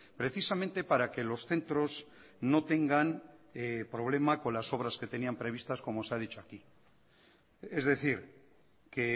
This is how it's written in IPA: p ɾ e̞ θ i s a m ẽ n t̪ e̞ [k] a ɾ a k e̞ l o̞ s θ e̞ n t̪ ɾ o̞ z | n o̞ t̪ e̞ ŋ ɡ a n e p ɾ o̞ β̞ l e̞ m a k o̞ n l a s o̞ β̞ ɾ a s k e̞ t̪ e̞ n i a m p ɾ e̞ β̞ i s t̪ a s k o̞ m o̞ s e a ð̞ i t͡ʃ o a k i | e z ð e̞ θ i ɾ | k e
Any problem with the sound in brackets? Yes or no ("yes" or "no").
yes